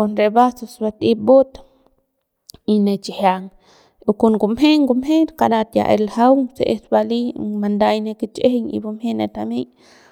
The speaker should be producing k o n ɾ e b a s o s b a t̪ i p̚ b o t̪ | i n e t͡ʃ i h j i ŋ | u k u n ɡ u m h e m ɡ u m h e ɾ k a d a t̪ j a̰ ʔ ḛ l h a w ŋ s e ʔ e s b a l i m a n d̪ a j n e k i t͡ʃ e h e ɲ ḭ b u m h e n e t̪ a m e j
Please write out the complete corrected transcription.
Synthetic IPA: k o n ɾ e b a s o s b a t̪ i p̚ b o t̪ | i n e t͡ʃ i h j a ŋ | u k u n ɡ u m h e ŋ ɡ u m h e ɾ k a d a t̪ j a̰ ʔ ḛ l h a w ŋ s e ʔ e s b a l i m a n d̪ a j n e k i t͡ʃ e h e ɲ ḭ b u m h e n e t̪ a m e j